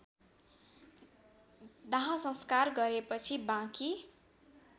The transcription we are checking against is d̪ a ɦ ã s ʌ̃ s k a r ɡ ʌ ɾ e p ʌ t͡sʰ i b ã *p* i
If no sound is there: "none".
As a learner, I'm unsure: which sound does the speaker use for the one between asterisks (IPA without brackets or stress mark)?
k